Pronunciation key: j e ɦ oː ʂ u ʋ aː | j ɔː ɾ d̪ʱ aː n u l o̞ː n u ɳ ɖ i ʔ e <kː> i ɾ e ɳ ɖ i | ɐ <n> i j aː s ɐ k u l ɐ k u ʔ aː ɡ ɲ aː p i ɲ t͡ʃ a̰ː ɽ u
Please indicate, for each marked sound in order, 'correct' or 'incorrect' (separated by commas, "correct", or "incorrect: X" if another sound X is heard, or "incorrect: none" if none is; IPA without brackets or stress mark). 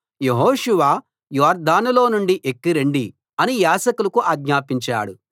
correct, correct